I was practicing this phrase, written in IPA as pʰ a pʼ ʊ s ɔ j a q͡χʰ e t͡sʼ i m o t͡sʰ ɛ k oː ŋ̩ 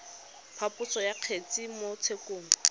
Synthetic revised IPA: pʰ a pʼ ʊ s ɔ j a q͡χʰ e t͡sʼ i m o t͡sʰ e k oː ŋ̩